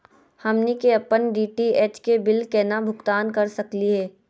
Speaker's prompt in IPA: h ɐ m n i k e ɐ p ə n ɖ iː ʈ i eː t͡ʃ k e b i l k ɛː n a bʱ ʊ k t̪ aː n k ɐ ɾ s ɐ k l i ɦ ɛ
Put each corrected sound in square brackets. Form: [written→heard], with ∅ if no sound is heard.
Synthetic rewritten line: h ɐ m n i k e ɐ p ə n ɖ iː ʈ i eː t͡ʃ k e b [i→ɪ] l k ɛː n a bʱ ʊ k t̪ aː n k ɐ ɾ s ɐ k l i ɦ [ɛ→ɛː]